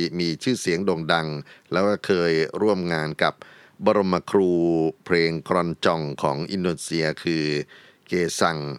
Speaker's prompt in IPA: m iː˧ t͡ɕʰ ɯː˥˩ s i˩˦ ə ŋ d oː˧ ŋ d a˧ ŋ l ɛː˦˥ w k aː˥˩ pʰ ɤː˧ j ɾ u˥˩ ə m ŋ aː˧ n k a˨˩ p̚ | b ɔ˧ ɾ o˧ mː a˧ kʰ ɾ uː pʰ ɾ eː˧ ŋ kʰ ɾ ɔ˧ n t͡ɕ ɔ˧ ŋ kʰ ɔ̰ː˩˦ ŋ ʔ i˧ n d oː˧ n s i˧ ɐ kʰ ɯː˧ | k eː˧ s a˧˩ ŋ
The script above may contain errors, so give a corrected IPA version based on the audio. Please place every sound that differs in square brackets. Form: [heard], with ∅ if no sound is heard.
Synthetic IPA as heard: m iː˧ t͡ɕʰ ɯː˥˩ s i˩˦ ə ŋ d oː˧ ŋ d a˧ ŋ l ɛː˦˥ w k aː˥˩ [kʰ] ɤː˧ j ɾ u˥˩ ə m ŋ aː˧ n k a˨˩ p̚ | b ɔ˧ ɾ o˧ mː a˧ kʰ ɾ uː pʰ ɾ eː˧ ŋ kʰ ɾ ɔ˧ n t͡ɕ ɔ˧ ŋ kʰ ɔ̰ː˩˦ ŋ ʔ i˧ n d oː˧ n s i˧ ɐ kʰ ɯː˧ | k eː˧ s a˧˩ ŋ